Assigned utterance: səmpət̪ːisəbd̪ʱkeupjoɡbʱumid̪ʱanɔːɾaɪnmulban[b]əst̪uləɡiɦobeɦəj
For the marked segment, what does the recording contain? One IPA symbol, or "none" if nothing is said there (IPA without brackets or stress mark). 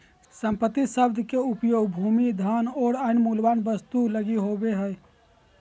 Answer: b